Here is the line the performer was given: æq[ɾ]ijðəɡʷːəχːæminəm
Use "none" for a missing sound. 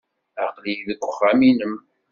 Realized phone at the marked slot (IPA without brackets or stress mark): l